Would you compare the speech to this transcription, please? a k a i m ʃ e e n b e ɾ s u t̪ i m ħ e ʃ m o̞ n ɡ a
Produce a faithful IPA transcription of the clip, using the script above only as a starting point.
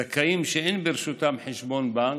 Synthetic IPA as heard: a k a i m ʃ e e n b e ɾ ʃ u t̪ a m ħ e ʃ b o̞ n b a